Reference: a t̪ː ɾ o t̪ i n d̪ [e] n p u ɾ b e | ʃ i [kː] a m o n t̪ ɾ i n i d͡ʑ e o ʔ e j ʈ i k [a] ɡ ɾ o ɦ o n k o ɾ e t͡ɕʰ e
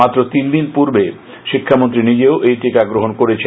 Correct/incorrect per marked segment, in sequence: incorrect, incorrect, correct

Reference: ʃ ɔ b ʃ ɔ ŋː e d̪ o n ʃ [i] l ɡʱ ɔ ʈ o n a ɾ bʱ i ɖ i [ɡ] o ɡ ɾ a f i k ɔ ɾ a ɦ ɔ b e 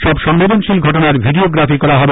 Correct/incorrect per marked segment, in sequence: correct, incorrect

